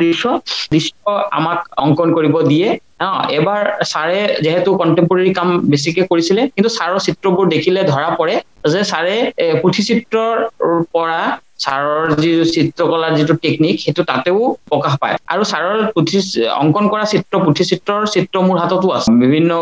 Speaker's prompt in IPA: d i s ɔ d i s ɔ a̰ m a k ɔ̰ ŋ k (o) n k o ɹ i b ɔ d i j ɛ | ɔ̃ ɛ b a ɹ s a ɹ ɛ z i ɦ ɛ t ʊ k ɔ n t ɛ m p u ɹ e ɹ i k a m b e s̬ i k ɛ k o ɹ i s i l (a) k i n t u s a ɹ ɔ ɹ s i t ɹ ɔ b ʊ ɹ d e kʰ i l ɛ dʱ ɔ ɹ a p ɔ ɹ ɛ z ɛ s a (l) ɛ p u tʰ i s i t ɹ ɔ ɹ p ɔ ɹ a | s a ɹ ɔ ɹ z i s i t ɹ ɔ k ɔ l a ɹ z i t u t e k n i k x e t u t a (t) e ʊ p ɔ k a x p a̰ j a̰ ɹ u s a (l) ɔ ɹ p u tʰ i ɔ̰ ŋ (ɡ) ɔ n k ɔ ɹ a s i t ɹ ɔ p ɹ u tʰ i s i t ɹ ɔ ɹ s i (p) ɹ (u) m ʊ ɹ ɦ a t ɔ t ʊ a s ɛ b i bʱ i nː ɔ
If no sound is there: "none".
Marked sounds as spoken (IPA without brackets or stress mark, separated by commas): ɔ, ɛ, ɹ, t, ɹ, k, t, ɔ